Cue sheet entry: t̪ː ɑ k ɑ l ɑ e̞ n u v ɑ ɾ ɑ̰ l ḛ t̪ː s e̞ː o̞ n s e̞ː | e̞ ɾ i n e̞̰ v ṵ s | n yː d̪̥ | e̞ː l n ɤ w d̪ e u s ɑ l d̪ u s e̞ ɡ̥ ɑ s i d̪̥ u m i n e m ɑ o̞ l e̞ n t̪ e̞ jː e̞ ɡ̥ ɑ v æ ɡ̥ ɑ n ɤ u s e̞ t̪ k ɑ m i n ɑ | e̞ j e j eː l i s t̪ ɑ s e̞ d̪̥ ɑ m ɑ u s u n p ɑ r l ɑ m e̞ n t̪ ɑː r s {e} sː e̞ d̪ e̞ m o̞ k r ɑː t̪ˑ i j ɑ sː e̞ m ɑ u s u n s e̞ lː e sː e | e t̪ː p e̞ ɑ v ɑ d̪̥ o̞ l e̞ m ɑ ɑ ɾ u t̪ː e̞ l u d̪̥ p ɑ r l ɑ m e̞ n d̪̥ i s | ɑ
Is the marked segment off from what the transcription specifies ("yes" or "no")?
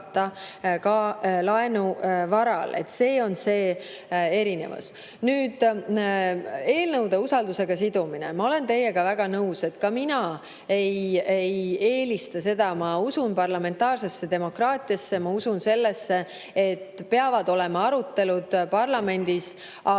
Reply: no